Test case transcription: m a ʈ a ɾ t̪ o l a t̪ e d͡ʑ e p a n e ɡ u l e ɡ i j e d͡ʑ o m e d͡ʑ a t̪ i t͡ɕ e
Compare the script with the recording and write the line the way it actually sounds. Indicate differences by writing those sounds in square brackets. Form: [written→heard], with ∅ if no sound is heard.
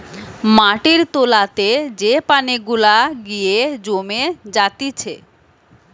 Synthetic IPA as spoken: m a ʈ [a→i] ɾ t̪ o l a t̪ e d͡ʑ e p a n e ɡ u l [e→a] ɡ i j e d͡ʑ o m e d͡ʑ a t̪ i [t͡ɕ→t͡ɕʰ] e